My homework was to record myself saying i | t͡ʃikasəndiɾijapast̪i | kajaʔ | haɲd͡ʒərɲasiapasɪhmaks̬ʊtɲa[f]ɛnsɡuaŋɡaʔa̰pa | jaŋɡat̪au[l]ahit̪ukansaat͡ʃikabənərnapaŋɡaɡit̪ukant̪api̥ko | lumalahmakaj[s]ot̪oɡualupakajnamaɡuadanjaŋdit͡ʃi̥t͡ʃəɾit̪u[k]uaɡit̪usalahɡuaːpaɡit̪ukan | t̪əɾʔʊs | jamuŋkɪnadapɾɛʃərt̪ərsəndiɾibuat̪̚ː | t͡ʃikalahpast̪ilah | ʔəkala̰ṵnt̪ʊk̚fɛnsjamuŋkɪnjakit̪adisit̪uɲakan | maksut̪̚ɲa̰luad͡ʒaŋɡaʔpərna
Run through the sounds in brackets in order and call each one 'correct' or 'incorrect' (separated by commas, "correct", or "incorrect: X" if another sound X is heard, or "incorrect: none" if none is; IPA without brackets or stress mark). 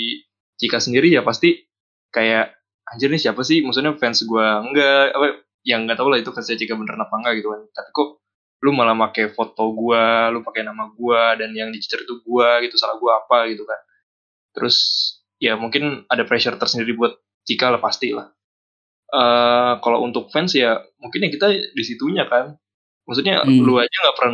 correct, correct, incorrect: f, incorrect: ɡ